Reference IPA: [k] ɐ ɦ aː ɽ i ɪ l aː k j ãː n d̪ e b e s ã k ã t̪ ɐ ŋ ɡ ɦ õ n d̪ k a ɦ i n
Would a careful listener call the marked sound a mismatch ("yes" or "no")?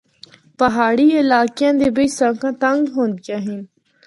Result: yes